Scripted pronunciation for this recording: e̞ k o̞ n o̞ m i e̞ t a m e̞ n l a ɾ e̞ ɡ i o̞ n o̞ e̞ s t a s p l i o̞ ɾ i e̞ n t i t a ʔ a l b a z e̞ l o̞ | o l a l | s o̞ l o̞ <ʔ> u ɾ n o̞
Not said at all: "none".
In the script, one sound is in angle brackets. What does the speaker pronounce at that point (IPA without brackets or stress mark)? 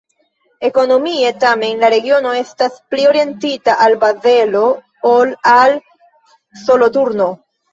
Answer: t